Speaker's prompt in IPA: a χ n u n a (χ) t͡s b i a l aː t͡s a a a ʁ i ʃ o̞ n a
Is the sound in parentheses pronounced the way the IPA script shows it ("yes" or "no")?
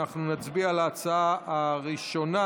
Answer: no